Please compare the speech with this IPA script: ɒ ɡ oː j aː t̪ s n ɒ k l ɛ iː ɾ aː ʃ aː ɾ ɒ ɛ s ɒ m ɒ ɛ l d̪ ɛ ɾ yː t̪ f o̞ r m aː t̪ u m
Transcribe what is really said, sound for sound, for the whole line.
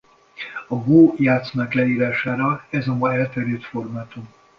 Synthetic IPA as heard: ɒ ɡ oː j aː t̪ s n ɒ k l ɛ iː ɾ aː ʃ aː ɾ ɒ ɛ z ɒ m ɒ ɛ l t̪ ɛ ɾ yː t̪ f o̞ r m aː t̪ u m